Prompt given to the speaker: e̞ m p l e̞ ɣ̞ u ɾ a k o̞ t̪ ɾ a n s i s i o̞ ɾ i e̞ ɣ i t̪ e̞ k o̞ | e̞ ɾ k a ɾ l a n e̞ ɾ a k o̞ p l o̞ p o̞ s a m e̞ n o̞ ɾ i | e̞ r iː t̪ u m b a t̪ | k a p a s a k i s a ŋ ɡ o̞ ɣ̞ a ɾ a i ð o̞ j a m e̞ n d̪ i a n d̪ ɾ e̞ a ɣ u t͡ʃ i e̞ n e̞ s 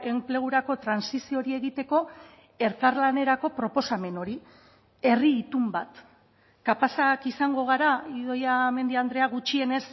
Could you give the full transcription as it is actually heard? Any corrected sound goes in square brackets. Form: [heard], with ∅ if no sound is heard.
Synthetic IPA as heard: e̞ m p l e̞ ɣ̞ u ɾ a k o̞ t̪ ɾ a n s i s i o̞ ɾ i e̞ ɣ i t̪ e̞ k o̞ | e̞ ɾ k a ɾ l a n e̞ ɾ a k o̞ p [ɾ] o̞ p o̞ s a m e̞ n o̞ ɾ i | e̞ r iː t̪ u m b a t̪ | k a p a s a k i s a ŋ ɡ o̞ ɣ̞ a ɾ a i ð o̞ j a m e̞ n d̪ i a n d̪ ɾ e̞ a ɣ u t͡ʃ i e̞ n e̞ s